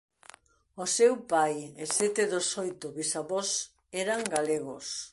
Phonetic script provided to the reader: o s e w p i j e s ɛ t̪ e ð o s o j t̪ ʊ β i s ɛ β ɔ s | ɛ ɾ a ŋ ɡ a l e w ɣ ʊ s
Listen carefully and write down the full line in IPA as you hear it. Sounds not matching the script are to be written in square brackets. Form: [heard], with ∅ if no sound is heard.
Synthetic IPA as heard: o s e w p [a] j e s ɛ t̪ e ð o s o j t̪ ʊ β i s [a] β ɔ s | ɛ ɾ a ŋ ɡ a l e [∅] ɣ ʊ s